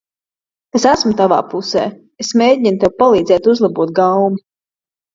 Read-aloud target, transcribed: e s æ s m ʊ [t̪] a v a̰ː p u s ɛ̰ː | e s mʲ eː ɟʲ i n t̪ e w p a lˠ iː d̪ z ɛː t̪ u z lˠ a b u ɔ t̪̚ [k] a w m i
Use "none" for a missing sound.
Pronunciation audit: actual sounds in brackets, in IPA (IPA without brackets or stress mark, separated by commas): t̪, ɡ